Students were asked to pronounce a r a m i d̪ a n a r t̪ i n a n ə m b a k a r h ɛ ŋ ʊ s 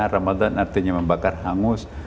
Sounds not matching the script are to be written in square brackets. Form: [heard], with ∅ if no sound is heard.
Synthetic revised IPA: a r a m [a] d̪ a n a r t̪ i [ɲ] a [m] ə m b a k a r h [a] ŋ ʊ s

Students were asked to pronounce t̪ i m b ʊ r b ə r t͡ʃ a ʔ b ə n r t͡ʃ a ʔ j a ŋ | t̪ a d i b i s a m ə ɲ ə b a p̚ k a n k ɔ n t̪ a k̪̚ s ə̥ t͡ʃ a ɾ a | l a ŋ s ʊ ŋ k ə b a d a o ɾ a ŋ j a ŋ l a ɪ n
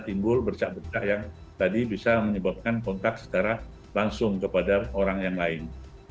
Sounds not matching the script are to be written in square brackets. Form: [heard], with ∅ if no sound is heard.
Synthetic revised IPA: t̪ i m b ʊ [l] b ə r t͡ʃ a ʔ b ə [∅] r t͡ʃ a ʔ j a ŋ | t̪ a d i b i s a m ə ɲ ə b a p̚ k a n k ɔ n t̪ a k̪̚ s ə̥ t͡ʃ a ɾ a | l a ŋ s ʊ ŋ k ə [p] a d a o ɾ a ŋ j a ŋ l a ɪ n

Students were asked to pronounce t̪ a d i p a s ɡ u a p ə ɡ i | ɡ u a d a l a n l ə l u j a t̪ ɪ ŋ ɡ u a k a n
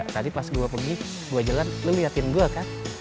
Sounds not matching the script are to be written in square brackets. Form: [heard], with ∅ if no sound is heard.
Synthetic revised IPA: t̪ a d i p a s ɡ u a p ə ɡ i | ɡ u a [d͡ʒ] a l a n l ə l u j a t̪ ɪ [n] ɡ u a k a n

